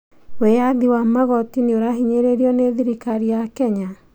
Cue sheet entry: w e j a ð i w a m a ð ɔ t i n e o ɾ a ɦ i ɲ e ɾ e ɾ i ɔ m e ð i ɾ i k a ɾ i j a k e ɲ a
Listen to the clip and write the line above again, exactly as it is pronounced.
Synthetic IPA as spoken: w e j a ð i w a m a ɣ ɔ t i n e o ɾ a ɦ i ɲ e ɾ e ɾ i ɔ n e ð i ɾ i k a ɾ i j a k ɛ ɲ a